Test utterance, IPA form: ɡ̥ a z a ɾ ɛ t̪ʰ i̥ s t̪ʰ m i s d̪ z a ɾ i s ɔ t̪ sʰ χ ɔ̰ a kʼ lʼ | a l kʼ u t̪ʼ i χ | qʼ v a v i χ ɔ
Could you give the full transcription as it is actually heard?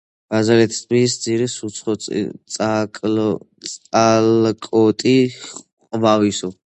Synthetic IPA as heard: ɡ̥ a z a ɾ ɛ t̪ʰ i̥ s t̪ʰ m i s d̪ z i ɾ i s u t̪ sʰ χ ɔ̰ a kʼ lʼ | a l kʼ ɔ t̪ʼ i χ | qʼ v a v i s ɔ